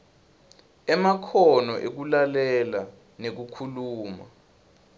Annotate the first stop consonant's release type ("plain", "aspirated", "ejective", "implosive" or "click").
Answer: aspirated